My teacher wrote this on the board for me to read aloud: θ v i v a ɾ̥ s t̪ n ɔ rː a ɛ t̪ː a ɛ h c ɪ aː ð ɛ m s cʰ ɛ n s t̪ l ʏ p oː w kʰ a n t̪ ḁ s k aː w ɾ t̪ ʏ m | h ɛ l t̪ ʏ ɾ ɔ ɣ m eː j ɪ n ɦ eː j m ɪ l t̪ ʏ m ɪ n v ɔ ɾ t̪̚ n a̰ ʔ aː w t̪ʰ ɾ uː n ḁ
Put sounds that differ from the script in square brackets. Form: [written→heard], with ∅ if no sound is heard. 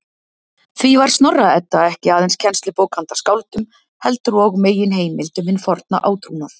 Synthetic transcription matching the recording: θ v i v a ɾ̥ s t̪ n ɔ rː a ɛ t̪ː a ɛ h c ɪ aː ð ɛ [m→n] s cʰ ɛ n s t̪ l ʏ p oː w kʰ a n t̪ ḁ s k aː w [ɾ→l] t̪ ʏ m | h ɛ l t̪ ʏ ɾ ɔ ɣ m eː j ɪ n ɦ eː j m ɪ l t̪ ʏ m ɪ n [v→f] ɔ ɾ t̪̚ n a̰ ʔ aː w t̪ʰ ɾ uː n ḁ